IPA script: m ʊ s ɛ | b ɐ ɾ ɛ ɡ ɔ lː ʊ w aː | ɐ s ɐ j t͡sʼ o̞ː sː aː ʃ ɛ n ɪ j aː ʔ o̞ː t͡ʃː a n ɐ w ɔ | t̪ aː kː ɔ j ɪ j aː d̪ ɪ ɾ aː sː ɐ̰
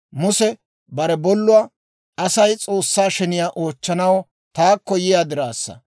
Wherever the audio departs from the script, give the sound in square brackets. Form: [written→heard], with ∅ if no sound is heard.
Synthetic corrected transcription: m ʊ s ɛ | b ɐ ɾ ɛ [ɡ→b] ɔ lː ʊ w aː | ɐ s ɐ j t͡sʼ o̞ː sː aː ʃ ɛ n ɪ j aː ʔ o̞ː t͡ʃː [a→ɐ] n ɐ w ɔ | t̪ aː kː ɔ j ɪ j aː d̪ ɪ ɾ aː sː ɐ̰